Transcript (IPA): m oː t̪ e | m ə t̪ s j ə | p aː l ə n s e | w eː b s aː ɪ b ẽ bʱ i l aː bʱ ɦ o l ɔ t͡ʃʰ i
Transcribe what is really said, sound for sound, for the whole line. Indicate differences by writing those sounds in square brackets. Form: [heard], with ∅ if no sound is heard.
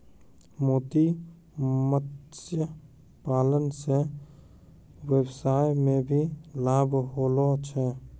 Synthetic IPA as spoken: m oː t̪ [i] | m ə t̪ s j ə | p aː l ə n s e | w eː b s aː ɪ [m] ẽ bʱ i l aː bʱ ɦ o l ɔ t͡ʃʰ [ɛ]